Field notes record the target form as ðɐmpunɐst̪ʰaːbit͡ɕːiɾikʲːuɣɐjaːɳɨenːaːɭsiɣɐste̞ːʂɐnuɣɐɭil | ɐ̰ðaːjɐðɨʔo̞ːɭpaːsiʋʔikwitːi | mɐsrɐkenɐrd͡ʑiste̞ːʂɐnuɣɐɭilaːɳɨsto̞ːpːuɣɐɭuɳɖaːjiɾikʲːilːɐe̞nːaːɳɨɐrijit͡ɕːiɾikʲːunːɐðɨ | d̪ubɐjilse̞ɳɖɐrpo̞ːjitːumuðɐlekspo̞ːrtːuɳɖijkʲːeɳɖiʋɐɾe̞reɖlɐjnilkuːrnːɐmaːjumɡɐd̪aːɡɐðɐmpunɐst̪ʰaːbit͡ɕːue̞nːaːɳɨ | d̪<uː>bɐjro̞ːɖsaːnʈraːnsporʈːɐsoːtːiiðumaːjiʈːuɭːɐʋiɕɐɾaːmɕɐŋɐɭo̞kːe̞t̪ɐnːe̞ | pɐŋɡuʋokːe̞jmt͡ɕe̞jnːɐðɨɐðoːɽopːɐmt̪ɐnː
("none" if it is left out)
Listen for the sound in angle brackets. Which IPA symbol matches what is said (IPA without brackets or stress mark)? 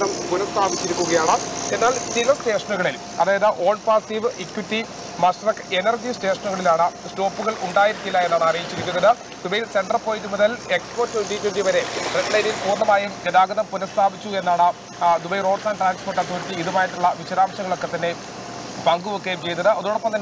u